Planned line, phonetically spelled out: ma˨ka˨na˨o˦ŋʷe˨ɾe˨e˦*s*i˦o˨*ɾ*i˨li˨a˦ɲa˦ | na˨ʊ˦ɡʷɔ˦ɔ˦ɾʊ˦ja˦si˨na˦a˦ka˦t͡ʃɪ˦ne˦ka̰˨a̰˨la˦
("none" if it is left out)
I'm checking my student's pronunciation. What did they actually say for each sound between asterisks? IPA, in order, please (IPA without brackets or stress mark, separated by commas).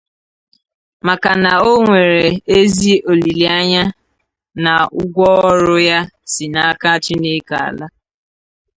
z, l